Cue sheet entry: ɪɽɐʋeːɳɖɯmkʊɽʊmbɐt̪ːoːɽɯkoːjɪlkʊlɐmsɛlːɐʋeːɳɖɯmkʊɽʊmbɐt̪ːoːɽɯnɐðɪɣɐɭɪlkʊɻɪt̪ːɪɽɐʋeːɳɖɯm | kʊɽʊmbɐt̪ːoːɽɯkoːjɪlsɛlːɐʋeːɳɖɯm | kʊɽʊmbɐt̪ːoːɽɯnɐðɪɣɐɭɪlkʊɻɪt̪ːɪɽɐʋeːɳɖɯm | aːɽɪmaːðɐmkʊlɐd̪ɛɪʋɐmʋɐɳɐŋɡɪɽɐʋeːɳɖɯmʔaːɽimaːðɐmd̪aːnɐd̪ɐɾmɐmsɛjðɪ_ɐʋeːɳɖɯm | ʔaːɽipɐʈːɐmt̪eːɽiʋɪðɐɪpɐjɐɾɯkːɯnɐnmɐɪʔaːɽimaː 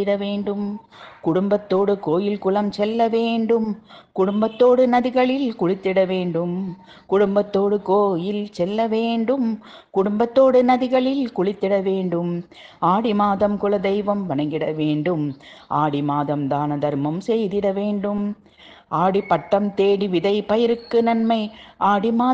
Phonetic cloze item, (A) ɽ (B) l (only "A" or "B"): A